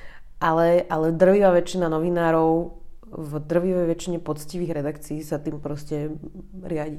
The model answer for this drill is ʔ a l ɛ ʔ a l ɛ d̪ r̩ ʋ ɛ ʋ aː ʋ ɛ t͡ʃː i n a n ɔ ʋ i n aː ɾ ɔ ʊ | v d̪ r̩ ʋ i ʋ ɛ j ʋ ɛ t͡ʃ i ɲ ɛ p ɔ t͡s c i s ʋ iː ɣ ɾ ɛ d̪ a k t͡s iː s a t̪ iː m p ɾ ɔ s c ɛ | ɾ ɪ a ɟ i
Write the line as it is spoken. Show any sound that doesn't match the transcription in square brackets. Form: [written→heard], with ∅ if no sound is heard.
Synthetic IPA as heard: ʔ a l ɛ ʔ a l ɛ d̪ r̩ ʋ [ɛ→i] ʋ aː ʋ ɛ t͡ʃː i n a n ɔ ʋ i n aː ɾ ɔ ʊ | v d̪ r̩ ʋ i ʋ ɛ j ʋ ɛ t͡ʃ i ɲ ɛ p ɔ t͡s c i [s→∅] ʋ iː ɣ ɾ ɛ d̪ a k t͡s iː s a t̪ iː m p ɾ ɔ s c ɛ | ɾ ɪ a ɟ i